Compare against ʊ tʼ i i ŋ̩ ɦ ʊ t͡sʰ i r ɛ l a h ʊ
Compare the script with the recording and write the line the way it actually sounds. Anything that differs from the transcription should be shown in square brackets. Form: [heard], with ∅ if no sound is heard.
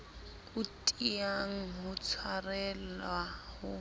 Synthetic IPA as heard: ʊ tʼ i [a] ŋ̩ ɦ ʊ t͡sʰ [a] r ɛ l a h ʊ